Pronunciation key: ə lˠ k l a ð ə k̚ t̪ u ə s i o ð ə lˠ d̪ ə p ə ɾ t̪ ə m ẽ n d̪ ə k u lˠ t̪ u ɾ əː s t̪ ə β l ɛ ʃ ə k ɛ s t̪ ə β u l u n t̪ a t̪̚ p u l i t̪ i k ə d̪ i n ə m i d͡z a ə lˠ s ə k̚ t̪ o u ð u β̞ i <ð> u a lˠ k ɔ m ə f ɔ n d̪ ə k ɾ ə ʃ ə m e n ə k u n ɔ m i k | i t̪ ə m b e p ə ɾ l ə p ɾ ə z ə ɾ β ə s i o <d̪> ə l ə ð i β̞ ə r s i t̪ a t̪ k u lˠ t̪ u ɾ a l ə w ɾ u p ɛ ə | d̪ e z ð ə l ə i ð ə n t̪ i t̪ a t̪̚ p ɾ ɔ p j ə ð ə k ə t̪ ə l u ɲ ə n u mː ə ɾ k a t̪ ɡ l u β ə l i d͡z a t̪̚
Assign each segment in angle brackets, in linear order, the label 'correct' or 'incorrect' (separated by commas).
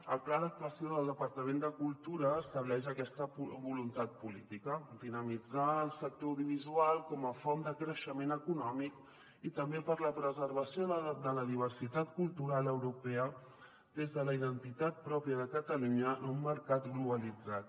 incorrect, correct